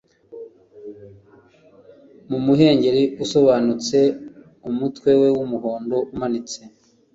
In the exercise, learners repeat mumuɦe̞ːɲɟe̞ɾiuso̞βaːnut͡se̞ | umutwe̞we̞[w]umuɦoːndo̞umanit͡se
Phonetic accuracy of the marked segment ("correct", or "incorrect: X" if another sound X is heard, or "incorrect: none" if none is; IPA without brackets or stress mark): correct